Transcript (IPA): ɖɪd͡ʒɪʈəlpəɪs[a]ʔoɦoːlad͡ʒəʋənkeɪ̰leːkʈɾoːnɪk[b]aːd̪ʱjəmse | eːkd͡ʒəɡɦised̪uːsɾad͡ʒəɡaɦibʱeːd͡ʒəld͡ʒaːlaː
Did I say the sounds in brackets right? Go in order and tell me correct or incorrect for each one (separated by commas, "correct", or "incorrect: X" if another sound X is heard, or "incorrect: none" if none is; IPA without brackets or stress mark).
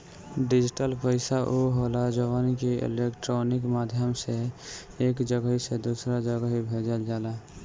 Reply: correct, incorrect: m